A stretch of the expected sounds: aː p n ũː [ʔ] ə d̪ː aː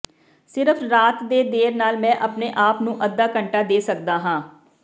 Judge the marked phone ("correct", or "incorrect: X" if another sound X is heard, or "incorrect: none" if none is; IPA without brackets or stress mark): correct